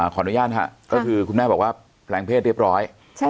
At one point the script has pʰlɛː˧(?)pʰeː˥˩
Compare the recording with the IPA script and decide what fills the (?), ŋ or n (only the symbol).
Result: ŋ